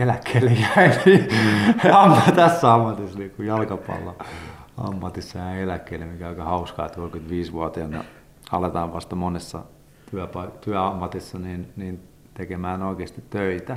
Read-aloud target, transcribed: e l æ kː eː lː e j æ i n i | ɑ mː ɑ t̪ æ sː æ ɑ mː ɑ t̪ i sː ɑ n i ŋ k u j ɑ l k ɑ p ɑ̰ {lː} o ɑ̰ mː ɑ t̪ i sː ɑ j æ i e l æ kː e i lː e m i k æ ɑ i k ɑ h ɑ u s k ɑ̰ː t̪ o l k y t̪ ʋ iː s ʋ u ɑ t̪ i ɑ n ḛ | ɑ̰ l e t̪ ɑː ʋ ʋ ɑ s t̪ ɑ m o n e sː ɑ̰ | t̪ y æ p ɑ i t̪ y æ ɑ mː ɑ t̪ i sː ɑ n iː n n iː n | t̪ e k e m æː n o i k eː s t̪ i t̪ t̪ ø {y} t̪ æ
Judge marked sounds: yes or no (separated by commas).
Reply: yes, no